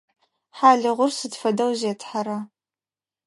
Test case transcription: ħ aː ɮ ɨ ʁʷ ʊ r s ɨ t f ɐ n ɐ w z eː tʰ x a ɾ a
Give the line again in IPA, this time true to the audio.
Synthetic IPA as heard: ħ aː ɮ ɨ ʁʷ ʊ r s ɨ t f ɐ d ɐ w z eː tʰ ħ a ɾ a